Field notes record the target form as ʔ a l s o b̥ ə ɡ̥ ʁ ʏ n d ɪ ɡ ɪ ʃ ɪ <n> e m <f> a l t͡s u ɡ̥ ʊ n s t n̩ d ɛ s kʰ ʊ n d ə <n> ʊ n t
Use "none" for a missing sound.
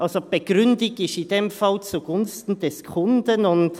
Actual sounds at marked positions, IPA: d, f, n

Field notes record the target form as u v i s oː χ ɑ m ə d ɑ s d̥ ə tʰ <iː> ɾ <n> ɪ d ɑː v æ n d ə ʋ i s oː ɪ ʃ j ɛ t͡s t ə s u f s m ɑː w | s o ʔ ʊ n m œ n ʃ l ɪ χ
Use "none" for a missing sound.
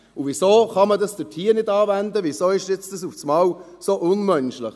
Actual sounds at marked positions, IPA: iː, n

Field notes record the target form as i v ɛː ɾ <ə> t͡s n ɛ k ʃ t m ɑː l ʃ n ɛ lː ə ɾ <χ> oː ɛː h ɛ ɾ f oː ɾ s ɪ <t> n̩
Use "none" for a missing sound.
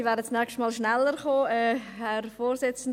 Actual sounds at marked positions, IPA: ə, χ, t͡s

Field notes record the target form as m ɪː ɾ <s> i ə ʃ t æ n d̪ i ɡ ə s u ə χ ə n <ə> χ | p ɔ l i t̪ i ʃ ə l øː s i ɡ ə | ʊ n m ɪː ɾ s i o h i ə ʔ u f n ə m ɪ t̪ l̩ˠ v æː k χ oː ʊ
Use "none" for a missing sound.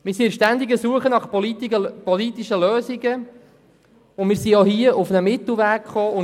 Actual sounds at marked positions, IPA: s, ɑ

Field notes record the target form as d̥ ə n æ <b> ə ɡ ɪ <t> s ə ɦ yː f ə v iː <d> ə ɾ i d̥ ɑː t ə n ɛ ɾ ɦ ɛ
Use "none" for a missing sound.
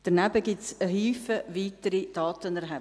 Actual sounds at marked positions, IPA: b, t, t

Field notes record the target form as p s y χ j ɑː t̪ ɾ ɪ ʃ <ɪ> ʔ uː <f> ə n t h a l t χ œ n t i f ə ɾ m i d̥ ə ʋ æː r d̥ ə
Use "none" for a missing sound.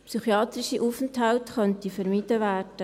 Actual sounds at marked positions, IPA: i, f

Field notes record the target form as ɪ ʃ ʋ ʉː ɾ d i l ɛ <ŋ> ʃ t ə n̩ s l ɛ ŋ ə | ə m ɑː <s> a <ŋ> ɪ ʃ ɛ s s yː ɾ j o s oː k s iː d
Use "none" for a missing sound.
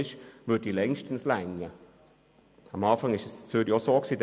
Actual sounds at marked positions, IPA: ŋ, f, ŋ

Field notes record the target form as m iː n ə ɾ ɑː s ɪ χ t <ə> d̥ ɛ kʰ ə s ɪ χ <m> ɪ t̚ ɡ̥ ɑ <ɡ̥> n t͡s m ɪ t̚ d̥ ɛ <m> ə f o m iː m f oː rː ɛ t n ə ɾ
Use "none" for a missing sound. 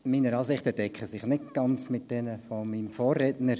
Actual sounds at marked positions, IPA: ə, n, none, n

